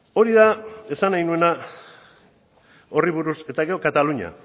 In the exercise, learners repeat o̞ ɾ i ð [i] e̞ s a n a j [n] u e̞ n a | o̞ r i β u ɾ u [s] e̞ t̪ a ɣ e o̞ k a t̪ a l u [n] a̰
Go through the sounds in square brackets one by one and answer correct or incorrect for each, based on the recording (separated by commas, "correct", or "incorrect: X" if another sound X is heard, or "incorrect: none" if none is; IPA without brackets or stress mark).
incorrect: a, correct, correct, incorrect: ɲ